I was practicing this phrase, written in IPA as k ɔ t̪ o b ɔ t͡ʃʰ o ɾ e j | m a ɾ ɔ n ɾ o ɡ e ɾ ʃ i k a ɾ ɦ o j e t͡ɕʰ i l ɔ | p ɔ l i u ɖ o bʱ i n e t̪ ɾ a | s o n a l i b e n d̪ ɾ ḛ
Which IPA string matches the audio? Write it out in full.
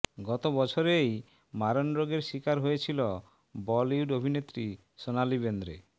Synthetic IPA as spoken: ɡ ɔ t̪ o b ɔ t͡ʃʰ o ɾ e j | m a ɾ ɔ n ɾ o ɡ e ɾ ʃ i k a ɾ ɦ o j e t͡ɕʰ i l ɔ | b ɔ l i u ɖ o bʱ i n e t̪ ɾ i | s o n a l i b e n d̪ ɾ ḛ